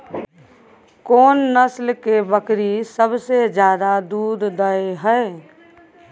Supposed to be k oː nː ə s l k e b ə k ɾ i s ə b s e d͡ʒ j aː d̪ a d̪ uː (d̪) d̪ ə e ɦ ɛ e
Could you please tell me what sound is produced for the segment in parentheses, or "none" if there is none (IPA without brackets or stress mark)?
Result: d̪